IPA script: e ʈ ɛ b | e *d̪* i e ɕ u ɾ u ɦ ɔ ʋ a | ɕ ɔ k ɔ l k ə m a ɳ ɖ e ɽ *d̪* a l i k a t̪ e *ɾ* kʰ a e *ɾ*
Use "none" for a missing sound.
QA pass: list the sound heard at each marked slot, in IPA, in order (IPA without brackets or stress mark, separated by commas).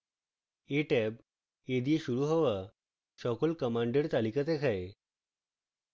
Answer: d̪, t̪, none, none